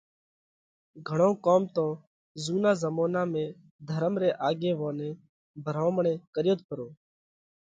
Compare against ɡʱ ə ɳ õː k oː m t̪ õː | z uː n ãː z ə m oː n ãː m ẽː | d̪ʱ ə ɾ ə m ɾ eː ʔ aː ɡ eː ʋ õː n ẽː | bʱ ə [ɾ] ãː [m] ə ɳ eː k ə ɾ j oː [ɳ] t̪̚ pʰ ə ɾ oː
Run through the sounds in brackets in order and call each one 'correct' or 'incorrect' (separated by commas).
correct, correct, incorrect